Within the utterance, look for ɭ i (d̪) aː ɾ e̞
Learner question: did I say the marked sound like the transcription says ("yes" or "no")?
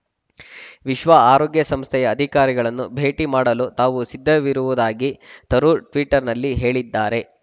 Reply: no